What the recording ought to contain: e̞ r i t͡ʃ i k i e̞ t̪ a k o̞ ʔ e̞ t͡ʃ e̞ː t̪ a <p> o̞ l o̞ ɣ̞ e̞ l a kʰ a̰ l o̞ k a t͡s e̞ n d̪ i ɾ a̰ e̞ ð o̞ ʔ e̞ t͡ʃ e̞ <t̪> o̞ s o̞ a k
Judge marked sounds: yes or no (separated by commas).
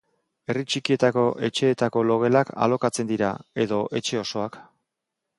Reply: no, no